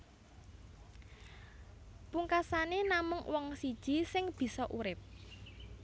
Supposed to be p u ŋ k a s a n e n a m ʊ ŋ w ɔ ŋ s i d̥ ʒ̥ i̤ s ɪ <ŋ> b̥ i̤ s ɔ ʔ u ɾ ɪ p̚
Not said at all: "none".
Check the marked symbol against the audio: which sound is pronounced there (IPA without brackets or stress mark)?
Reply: ŋ